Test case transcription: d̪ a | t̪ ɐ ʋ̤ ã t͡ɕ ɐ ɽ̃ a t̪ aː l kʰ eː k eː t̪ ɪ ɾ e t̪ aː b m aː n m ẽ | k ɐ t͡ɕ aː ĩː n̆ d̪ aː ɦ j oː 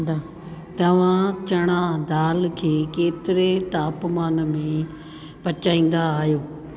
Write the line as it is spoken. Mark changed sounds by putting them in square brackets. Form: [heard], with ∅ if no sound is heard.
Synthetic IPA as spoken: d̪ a | t̪ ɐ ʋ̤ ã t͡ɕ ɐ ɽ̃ a [d̪] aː l kʰ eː k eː t̪ ɪ ɾ e t̪ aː [p] m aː n m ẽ | [p] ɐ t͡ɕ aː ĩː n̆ d̪ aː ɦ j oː